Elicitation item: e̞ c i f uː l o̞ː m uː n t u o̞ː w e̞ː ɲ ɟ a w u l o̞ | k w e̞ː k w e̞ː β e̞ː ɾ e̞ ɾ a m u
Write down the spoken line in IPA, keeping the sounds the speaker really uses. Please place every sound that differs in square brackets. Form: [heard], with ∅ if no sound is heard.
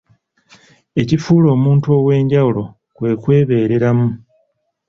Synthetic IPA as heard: e̞ c i f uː l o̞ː m uː n t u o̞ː w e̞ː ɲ ɟ a w u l o̞ | k w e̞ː k w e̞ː β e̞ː ɾ e̞ ɾ a m u